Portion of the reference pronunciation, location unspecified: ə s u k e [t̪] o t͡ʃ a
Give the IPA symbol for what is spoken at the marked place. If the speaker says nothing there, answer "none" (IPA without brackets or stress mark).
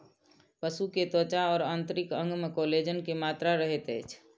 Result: t̪